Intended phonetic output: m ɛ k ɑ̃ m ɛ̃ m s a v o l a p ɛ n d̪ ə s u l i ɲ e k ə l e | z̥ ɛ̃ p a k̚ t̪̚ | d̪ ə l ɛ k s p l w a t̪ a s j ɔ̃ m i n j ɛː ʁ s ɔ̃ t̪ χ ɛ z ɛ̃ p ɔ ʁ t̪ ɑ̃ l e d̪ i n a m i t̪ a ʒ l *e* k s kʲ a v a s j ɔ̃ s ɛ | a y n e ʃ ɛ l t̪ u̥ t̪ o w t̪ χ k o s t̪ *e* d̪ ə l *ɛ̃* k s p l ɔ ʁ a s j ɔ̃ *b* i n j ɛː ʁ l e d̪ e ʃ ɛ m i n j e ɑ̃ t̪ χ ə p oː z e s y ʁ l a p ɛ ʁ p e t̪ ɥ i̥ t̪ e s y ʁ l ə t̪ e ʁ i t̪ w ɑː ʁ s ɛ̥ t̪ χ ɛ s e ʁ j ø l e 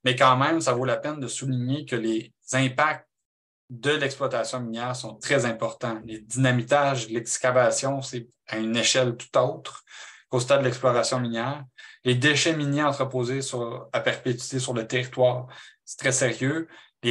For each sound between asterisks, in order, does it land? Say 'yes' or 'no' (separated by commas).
no, no, no, no